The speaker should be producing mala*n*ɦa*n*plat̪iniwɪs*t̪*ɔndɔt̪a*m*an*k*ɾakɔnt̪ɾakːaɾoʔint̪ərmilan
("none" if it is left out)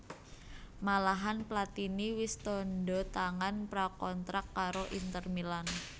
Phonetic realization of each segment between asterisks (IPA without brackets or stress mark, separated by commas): none, n, t̪, ŋ, p